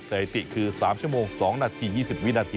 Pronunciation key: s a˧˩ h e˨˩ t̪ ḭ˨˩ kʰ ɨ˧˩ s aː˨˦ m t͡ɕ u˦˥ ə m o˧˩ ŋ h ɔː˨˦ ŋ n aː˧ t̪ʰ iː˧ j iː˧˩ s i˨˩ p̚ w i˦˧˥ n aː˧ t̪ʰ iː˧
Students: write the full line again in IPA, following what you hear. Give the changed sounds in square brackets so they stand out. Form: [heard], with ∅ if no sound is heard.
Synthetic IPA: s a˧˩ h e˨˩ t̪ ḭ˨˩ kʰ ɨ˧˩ s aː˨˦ m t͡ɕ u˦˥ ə m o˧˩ ŋ [s] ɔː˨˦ ŋ n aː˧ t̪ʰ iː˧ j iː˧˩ s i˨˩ p̚ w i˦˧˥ n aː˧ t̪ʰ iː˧